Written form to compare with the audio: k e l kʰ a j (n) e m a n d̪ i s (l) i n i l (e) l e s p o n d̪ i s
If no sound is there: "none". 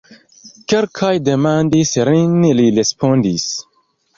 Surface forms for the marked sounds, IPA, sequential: d, ɾ, i

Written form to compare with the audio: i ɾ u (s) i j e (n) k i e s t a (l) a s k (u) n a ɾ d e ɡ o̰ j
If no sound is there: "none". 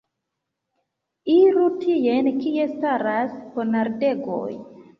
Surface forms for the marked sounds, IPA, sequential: t, n, ɾ, o

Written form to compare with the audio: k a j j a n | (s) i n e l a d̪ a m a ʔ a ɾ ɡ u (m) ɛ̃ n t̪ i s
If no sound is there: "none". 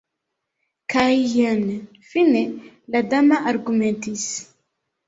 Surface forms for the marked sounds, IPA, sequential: f, m

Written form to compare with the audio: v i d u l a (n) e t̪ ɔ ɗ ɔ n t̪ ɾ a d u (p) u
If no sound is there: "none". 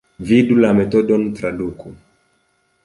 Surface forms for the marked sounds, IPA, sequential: m, k

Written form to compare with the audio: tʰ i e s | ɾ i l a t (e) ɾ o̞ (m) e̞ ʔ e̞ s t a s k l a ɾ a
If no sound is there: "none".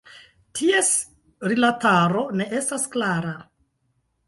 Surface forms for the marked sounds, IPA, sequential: a, n

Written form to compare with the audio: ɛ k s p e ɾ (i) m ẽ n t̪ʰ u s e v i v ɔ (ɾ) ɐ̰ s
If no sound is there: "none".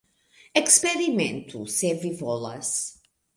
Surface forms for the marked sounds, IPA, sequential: i, l

